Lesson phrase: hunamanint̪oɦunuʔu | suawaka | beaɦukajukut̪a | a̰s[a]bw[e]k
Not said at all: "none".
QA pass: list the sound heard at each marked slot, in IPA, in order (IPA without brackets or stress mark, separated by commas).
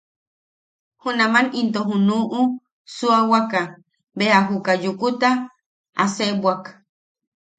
e, a